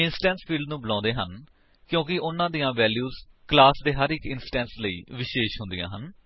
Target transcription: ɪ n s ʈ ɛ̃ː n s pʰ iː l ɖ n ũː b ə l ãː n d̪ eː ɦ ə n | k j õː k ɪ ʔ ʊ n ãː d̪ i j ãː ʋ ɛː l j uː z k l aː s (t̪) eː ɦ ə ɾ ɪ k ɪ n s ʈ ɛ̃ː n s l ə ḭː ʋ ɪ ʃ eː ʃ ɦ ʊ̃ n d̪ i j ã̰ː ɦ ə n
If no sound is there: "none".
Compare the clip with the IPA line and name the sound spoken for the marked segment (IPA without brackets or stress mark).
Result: d̪